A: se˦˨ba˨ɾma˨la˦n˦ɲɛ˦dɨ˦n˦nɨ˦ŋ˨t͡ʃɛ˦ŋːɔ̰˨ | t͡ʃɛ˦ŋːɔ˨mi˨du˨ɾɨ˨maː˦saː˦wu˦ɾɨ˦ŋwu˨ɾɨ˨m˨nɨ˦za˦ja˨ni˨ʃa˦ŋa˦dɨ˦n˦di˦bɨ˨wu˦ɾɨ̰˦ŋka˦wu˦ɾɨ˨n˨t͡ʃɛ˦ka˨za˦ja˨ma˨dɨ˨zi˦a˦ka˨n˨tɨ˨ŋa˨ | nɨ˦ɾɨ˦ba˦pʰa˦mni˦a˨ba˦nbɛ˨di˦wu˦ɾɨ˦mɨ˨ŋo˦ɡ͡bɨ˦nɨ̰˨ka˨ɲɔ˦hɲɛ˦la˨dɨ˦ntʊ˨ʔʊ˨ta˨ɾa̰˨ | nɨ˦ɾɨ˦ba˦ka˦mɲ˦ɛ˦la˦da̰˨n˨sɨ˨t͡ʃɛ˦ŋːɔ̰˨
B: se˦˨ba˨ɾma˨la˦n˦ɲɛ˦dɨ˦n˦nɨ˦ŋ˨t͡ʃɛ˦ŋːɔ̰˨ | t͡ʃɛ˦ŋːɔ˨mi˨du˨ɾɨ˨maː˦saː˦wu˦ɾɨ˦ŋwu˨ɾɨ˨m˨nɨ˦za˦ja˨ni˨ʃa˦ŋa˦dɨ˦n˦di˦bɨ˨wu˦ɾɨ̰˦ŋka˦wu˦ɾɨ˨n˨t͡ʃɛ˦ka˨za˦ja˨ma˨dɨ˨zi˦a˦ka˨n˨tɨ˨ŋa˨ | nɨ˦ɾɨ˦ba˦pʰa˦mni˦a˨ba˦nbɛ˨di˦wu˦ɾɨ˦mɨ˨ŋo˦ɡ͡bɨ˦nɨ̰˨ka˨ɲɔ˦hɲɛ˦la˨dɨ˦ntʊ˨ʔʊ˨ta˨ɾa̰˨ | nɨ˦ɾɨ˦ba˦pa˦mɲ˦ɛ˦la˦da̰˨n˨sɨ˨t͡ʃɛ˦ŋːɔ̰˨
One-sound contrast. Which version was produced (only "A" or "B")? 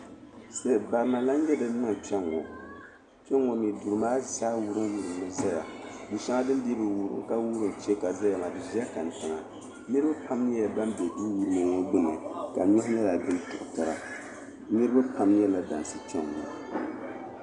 B